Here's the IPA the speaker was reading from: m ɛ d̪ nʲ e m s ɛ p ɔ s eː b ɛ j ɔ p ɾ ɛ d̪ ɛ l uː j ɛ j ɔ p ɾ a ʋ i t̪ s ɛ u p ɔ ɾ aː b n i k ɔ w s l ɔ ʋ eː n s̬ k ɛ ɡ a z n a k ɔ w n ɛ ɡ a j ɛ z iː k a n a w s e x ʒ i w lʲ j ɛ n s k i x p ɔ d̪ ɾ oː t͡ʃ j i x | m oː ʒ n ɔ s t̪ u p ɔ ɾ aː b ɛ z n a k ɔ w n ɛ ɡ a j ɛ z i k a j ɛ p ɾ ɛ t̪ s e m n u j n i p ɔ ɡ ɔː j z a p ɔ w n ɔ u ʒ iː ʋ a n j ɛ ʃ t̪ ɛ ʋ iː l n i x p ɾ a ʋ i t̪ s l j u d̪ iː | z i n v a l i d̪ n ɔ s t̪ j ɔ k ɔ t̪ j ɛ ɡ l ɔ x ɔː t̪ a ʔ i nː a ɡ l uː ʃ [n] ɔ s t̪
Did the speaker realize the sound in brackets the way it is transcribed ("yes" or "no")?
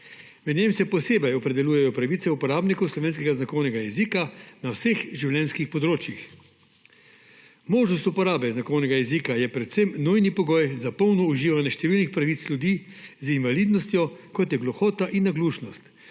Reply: yes